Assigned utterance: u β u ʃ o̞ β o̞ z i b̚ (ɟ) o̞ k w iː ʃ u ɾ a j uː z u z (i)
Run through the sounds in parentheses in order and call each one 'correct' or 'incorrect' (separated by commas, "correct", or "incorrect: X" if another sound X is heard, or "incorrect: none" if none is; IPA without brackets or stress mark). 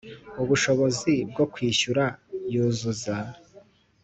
incorrect: ɡ, incorrect: a